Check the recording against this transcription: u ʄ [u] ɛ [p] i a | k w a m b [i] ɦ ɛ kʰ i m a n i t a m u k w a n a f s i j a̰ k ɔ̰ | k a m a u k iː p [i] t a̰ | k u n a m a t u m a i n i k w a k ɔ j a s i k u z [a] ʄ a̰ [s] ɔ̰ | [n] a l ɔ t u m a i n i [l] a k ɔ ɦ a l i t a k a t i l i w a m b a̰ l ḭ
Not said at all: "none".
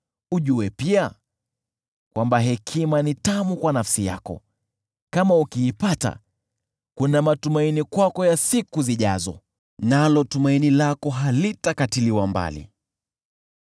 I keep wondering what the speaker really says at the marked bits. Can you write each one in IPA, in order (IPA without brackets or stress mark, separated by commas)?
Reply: u, p, a, a, i, z, n, l